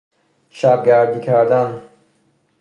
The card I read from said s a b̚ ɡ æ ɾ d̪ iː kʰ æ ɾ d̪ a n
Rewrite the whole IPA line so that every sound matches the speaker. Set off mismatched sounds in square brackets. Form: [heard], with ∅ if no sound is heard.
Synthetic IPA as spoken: [ʃ] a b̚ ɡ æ ɾ d̪ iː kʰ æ ɾ d̪ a n